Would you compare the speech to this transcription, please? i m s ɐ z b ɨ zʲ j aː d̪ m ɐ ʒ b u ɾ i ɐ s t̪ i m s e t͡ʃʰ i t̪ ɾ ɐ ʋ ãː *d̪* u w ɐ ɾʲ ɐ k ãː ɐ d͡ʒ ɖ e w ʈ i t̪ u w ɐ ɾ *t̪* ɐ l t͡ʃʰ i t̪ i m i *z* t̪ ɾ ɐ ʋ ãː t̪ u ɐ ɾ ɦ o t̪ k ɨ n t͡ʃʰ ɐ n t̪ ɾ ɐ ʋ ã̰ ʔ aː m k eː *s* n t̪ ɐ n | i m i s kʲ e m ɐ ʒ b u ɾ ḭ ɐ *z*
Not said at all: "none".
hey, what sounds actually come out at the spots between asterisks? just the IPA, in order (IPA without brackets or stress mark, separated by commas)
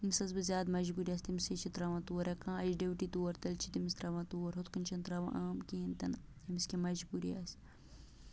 t̪, t̪, s, none, s